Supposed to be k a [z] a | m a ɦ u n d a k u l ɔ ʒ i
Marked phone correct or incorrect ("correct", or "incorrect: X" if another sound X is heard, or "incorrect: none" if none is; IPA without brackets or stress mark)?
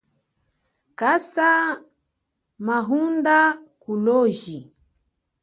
incorrect: s